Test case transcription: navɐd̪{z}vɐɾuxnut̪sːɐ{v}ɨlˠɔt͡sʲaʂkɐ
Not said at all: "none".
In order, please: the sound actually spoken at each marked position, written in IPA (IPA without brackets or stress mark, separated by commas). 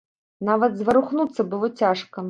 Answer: z, b